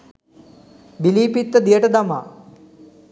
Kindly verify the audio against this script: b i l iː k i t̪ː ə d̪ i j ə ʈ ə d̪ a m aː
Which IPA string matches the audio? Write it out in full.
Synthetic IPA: b i l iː p i t̪ː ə d̪ i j ə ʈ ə d̪ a m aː